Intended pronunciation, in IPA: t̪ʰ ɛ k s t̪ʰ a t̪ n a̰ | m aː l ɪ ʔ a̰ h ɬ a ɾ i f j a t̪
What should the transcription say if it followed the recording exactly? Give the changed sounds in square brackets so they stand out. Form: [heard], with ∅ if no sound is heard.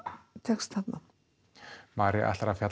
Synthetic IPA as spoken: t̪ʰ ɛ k s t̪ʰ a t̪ n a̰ | m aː [ɾ] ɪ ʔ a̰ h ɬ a ɾ [a] f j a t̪